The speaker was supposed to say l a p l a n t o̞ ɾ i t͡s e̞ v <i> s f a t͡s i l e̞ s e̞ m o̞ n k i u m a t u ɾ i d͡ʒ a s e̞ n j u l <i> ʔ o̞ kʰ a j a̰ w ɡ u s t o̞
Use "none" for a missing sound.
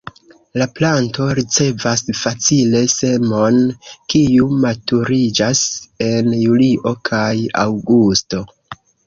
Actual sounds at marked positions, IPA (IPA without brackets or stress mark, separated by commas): a, i